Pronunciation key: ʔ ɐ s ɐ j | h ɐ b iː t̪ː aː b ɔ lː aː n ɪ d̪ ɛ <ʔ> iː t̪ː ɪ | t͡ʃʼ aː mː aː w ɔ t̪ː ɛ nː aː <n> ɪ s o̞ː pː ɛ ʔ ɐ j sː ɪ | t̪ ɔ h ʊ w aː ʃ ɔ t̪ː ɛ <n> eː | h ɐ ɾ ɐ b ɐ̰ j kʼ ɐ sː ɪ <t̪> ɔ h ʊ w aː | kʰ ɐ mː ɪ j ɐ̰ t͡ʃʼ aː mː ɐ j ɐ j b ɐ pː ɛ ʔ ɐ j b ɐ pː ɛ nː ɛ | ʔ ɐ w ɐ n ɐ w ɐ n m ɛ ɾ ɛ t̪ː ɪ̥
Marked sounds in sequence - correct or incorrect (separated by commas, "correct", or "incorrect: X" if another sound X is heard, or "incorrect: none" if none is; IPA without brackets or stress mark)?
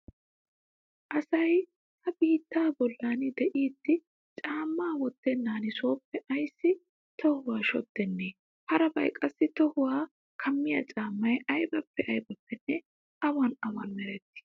correct, correct, incorrect: nː, correct